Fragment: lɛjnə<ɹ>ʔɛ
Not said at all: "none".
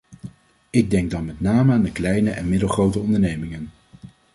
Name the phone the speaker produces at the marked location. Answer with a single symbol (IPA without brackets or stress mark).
none